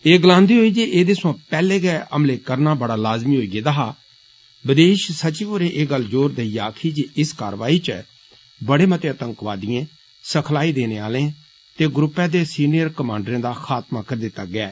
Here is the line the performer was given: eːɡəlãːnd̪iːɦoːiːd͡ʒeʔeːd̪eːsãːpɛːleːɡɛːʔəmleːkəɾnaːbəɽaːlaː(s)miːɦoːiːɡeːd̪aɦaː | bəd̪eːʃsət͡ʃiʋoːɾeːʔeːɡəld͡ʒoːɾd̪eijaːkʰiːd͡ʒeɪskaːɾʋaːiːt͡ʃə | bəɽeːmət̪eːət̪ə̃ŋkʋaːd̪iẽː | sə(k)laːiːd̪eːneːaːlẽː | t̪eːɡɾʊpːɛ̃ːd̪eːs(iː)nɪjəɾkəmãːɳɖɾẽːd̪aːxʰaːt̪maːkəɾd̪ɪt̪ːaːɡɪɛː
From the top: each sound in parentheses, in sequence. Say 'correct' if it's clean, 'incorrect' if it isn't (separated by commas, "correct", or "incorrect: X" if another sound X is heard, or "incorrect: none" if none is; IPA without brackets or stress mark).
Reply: incorrect: z, incorrect: kʰ, correct